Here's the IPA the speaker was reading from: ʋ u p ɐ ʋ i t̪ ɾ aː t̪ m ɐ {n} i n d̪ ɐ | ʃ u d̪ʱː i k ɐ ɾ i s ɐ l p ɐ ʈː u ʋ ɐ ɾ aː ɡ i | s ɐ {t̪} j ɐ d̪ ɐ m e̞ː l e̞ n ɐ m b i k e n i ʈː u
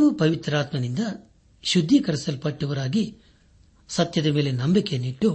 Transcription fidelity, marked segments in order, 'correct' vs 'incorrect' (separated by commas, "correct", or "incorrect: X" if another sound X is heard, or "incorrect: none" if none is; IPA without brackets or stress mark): correct, correct